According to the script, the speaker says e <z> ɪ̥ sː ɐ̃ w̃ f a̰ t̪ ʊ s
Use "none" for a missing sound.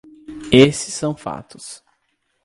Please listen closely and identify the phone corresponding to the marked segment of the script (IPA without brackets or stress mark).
s